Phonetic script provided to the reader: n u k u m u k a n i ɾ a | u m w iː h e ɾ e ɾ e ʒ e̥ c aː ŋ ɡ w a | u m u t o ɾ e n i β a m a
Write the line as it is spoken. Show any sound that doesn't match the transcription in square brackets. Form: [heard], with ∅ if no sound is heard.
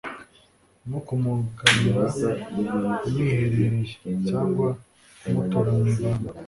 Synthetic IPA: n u k u m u k a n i ɾ a | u m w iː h e ɾ e ɾ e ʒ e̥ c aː ŋ ɡ w a | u m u t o ɾ [a] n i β a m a